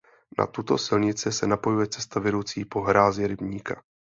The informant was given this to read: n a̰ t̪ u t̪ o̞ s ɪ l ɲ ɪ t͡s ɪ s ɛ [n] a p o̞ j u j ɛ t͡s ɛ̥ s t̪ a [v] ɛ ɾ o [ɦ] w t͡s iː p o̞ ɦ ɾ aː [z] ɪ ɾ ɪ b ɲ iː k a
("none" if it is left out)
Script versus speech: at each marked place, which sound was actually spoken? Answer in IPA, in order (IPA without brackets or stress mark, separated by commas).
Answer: n, v, none, z